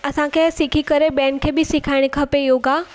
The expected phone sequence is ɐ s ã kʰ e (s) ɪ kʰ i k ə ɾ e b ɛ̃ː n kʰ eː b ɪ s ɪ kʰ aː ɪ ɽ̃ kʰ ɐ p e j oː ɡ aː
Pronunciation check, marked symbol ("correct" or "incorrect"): correct